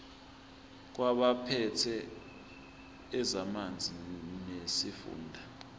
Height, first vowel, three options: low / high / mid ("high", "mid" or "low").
low